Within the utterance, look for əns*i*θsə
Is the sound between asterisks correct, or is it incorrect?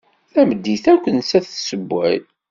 incorrect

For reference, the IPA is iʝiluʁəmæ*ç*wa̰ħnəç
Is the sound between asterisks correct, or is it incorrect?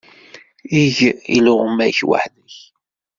correct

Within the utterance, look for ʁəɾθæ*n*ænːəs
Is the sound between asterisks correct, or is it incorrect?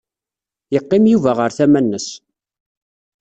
incorrect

